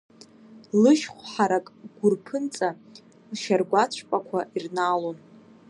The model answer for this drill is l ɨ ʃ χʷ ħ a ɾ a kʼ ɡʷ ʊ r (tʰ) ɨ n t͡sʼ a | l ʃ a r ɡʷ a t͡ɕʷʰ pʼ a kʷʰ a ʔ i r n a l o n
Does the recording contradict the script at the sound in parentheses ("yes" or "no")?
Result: yes